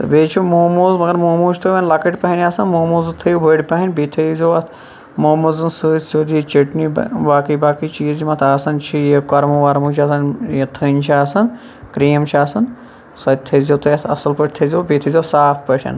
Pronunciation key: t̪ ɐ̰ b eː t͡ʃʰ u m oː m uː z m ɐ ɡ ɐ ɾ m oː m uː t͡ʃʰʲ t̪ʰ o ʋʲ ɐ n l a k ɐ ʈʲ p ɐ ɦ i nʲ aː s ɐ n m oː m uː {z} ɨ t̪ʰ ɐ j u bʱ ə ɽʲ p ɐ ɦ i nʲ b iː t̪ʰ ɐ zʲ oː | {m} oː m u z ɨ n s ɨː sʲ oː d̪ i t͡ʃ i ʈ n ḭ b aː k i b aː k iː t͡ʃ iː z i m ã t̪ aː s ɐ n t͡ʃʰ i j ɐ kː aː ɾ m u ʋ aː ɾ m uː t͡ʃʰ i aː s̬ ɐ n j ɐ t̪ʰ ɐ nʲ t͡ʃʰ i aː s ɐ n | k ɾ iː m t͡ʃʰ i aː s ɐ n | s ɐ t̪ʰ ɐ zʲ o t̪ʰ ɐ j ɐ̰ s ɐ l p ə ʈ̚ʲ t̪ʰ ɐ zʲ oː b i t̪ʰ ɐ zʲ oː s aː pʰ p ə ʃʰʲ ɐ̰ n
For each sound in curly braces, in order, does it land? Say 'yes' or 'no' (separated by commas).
yes, yes